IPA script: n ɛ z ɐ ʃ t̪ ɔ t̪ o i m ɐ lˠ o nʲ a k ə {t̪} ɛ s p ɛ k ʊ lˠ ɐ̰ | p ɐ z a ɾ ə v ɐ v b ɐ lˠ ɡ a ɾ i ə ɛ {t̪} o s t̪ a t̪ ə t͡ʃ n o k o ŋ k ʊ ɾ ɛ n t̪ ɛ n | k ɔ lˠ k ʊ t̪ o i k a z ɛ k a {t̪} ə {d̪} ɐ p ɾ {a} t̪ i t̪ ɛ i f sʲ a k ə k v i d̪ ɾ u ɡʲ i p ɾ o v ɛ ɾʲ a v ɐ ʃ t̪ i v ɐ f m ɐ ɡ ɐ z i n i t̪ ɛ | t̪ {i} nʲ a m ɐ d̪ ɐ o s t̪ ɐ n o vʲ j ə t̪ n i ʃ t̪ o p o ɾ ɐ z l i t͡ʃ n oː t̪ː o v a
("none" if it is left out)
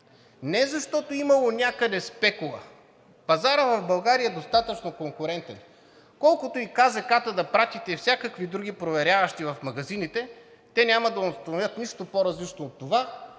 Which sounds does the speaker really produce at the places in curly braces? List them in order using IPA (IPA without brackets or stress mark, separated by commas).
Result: d̪, d̪, t̪, d̪, a, ɛ